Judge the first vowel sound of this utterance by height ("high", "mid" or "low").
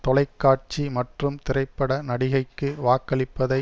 mid